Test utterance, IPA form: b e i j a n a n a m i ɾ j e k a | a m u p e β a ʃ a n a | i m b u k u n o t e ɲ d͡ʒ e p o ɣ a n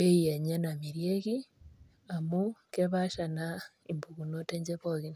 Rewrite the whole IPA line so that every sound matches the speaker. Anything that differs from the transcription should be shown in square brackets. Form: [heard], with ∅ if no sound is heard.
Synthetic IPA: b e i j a [ɲ] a n a m i ɾ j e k [i] | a m u [k] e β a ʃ a n a | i m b u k u n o t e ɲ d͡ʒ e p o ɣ [i] n